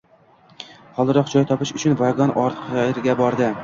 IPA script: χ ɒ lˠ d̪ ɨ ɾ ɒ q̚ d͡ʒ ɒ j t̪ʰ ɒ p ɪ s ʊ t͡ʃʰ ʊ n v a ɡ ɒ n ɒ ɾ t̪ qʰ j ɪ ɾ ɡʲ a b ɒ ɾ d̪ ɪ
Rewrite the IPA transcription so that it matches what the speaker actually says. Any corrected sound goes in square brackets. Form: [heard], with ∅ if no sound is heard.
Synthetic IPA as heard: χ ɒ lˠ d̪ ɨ ɾ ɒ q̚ d͡ʒ ɒ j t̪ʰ ɒ p ɪ [ʃ] ʊ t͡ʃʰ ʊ n v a ɡ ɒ n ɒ ɾ t̪ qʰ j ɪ ɾ ɡʲ a b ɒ ɾ d̪ ɪ